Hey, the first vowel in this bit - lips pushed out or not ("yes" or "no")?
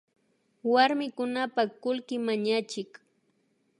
no